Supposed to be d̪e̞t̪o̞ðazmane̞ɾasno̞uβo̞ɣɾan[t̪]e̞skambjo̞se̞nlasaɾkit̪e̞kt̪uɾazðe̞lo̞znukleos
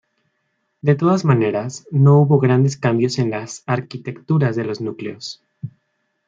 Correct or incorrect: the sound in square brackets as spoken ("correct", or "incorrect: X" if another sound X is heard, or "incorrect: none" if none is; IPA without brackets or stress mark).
incorrect: d̪